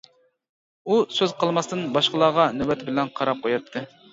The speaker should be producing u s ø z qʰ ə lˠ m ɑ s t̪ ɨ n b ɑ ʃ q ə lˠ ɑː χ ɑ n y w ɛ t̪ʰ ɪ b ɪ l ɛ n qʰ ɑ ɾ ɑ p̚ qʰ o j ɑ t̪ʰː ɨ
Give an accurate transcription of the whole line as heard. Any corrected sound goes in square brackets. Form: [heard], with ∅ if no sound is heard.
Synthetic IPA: u s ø z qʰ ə lˠ m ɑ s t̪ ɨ n b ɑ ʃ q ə lˠ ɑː [ʁ] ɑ n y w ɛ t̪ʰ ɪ b ɪ l ɛ n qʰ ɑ ɾ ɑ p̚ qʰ o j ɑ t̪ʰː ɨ